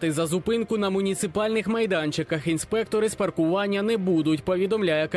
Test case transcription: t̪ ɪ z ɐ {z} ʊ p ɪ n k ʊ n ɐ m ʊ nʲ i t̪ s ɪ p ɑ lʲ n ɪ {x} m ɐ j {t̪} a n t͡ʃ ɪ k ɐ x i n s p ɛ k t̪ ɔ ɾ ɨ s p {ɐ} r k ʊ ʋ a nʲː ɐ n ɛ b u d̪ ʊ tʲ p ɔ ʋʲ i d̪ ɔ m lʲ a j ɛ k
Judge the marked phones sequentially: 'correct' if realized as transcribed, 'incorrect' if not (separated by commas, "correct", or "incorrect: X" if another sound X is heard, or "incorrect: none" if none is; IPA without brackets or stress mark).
correct, correct, incorrect: d̪, correct